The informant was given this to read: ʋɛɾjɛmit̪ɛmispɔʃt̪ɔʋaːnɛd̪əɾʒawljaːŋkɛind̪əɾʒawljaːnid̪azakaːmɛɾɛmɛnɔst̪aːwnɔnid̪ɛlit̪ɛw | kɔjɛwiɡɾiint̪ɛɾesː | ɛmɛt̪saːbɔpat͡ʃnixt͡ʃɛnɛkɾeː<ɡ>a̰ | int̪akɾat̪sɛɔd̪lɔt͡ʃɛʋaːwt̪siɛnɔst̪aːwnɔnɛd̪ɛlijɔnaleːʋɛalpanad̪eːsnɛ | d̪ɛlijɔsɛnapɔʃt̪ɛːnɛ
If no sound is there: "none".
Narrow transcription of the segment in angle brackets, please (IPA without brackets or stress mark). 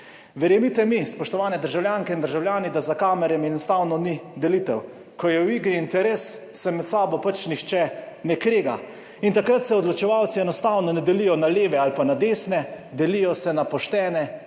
ɡ